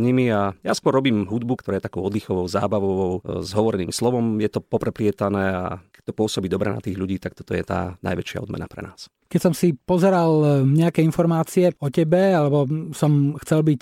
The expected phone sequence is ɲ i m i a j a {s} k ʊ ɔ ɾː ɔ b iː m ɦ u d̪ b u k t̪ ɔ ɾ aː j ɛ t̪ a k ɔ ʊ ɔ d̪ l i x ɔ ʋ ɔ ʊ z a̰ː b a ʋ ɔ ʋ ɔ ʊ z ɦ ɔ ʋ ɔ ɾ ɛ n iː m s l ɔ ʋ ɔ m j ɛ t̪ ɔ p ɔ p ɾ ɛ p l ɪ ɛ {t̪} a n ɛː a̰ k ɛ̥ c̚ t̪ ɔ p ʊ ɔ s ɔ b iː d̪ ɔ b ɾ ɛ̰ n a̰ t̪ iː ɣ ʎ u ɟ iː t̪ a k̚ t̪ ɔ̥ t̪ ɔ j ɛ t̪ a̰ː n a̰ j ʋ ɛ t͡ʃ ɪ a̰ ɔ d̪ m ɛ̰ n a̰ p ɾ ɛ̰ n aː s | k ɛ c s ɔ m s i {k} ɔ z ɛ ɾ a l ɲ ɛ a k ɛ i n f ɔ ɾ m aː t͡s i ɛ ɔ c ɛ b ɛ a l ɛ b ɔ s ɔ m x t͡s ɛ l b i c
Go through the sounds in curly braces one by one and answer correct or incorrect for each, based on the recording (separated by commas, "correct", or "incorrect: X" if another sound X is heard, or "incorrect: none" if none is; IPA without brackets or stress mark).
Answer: correct, correct, incorrect: p